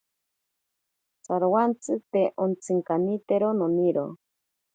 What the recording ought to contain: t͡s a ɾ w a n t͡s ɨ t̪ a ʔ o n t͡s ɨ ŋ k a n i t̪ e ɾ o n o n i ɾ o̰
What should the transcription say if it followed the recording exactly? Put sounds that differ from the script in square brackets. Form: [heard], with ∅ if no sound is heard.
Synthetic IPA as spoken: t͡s a ɾ w a n t͡s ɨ t̪ [e] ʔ o n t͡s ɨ ŋ k a n i t̪ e ɾ o n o n i ɾ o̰